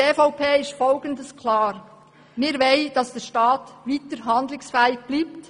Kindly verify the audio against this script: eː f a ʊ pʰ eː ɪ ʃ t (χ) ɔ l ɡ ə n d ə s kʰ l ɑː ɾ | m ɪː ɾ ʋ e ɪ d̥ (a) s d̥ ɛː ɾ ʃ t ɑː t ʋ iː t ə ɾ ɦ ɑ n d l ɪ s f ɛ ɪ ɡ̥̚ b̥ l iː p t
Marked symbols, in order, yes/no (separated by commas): no, no